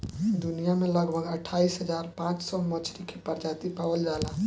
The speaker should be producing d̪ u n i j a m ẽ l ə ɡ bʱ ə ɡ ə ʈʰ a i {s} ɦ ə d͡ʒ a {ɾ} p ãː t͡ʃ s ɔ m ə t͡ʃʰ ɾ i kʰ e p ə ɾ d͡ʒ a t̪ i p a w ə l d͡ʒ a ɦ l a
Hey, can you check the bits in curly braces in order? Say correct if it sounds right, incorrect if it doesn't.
correct, correct

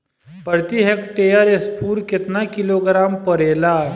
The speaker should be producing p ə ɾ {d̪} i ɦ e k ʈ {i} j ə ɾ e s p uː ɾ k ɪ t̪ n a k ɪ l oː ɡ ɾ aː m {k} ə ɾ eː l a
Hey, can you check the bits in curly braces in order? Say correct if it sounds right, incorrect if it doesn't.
incorrect: t̪, incorrect: e, incorrect: p

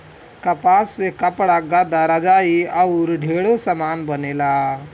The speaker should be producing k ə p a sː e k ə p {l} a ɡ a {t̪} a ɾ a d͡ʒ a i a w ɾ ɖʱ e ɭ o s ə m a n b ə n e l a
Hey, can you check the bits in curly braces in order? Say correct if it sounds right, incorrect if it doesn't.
incorrect: ɽ, incorrect: d̪

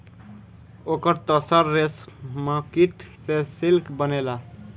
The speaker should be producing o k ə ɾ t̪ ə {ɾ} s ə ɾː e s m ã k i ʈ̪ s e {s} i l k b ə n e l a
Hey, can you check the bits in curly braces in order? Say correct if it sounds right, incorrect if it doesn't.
incorrect: none, correct

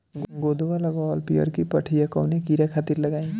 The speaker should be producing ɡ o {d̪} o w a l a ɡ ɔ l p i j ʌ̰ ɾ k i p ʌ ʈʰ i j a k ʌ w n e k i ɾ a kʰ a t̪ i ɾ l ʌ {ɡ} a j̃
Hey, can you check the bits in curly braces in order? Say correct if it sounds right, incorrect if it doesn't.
correct, correct

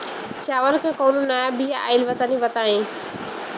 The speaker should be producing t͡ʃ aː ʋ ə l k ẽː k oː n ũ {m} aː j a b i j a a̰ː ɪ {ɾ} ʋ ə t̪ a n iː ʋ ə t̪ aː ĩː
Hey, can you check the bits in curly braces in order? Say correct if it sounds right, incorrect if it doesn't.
incorrect: n, incorrect: l

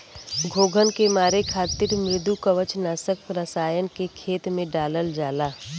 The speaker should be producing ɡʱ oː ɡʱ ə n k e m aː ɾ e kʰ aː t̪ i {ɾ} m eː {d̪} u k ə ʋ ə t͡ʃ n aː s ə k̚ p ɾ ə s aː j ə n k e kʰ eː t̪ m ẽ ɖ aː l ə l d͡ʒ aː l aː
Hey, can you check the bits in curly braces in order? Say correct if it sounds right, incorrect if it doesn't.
correct, correct

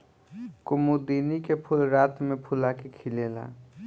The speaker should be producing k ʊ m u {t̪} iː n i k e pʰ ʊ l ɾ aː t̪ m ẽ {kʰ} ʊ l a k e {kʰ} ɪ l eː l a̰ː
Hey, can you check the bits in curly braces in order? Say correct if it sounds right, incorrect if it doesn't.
incorrect: d̪, incorrect: pʰ, correct

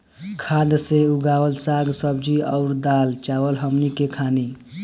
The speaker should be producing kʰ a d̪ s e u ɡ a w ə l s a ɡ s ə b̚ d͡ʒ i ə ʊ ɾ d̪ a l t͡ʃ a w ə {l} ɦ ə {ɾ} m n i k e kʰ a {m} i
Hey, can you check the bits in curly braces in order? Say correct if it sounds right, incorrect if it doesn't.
correct, incorrect: none, incorrect: n

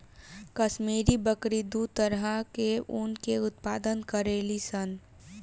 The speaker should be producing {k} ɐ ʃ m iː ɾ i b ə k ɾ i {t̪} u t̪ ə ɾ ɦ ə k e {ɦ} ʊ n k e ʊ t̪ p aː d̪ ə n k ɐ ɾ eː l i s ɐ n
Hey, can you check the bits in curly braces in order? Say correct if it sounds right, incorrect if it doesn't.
correct, incorrect: d̪, incorrect: none

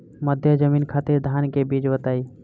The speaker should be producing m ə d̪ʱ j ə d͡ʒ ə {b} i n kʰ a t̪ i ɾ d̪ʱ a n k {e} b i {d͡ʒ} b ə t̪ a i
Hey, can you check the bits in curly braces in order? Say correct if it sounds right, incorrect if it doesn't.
incorrect: m, correct, correct

